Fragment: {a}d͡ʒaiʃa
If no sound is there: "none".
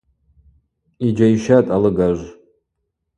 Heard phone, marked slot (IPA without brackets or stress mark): i